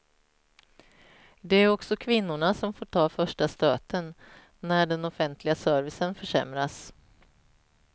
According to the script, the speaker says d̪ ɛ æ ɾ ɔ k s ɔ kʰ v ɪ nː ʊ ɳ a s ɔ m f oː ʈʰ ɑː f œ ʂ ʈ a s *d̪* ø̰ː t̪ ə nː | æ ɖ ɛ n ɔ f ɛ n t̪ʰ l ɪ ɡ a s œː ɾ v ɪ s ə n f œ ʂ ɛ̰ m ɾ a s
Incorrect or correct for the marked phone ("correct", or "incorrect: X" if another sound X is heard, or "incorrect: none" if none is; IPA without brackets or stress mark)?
incorrect: t̪